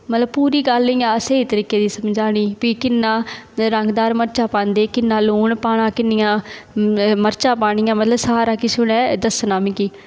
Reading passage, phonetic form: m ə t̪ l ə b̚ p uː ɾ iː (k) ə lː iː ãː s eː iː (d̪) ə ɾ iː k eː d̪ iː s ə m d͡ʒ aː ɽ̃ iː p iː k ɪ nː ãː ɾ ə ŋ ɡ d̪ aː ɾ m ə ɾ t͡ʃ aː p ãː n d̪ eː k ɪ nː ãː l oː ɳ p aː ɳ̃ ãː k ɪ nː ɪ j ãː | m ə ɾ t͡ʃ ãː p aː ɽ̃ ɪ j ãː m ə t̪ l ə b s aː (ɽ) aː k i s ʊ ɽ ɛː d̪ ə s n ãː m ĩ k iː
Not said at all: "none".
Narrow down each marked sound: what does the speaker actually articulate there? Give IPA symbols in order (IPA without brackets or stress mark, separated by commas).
ɡ, t̪, ɾ